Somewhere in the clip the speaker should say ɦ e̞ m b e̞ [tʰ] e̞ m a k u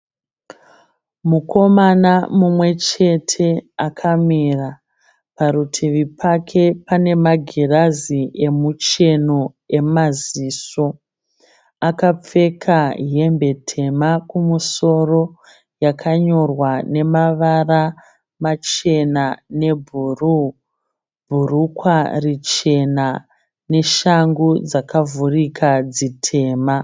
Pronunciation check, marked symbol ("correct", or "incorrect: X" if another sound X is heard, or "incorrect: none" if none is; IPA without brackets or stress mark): correct